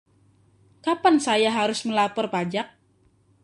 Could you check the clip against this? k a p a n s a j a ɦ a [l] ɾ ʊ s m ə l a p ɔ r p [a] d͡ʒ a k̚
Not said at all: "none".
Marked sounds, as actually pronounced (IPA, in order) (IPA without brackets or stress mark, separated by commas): none, a